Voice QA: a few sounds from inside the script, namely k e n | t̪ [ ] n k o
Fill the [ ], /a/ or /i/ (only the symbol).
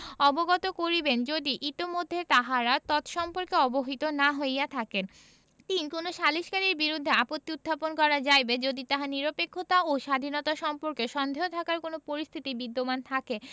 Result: i